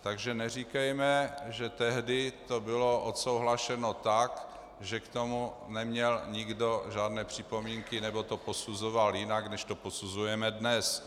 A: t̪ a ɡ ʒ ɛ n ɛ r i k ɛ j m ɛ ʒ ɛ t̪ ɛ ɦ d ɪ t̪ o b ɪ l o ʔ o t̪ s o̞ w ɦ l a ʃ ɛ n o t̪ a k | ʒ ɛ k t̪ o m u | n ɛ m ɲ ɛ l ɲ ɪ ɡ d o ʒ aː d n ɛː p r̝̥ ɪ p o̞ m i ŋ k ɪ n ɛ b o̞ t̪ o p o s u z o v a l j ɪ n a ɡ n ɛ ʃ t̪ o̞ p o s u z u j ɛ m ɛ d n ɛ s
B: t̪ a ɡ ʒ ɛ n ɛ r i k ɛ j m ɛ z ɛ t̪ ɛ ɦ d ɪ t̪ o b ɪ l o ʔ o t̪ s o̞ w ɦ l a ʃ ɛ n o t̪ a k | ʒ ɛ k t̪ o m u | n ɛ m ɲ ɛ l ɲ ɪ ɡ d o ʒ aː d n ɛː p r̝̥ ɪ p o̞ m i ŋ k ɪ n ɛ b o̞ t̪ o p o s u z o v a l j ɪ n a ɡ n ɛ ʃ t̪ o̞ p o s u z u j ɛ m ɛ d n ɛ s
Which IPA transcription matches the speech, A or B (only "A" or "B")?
A